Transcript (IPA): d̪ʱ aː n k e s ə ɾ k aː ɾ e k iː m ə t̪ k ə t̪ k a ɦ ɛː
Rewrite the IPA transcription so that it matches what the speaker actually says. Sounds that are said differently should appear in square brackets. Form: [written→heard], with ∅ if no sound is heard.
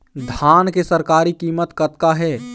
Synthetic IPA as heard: d̪ʱ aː n k e s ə ɾ k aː ɾ [e→i] k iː m ə t̪ k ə t̪ k a ɦ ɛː